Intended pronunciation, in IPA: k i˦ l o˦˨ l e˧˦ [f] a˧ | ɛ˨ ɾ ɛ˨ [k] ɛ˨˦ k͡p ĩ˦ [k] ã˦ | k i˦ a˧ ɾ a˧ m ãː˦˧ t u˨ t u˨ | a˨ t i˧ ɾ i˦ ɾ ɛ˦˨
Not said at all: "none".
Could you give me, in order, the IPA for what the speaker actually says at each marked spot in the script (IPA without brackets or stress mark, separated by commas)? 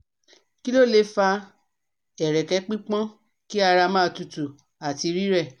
f, k, k͡p